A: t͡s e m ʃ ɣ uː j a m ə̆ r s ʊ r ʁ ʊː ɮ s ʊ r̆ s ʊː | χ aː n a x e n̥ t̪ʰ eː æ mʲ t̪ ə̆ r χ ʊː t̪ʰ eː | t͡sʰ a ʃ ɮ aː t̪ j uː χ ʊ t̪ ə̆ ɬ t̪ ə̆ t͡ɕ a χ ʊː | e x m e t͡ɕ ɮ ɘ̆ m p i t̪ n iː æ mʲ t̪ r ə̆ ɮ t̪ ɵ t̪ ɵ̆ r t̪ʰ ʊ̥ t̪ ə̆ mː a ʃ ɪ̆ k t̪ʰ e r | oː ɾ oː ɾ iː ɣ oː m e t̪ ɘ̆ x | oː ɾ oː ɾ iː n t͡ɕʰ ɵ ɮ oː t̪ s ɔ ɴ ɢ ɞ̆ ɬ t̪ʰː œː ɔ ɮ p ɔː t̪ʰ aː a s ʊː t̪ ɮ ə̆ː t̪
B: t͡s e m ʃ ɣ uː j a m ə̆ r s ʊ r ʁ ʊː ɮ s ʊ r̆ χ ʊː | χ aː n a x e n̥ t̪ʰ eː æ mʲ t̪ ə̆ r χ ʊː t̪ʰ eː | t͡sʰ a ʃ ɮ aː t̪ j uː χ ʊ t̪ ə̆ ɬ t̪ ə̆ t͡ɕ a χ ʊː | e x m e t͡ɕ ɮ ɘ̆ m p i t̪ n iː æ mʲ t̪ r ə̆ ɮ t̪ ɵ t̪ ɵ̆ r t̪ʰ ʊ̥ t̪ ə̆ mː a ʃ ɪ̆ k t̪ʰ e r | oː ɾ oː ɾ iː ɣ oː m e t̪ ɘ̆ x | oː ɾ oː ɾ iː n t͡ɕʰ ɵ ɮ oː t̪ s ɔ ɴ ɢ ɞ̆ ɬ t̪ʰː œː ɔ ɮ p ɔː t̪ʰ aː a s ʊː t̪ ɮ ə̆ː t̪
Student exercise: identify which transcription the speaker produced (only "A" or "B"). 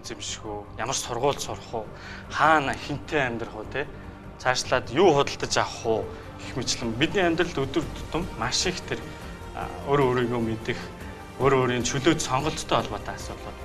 B